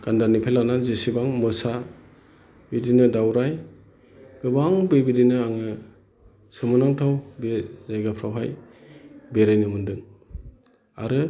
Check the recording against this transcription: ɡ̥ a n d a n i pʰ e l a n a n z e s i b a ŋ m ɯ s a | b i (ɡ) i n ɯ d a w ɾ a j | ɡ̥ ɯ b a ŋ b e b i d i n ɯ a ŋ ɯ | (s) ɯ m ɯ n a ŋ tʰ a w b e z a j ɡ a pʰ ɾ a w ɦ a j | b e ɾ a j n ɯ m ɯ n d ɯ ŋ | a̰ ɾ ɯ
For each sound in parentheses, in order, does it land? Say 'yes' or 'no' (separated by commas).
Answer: no, yes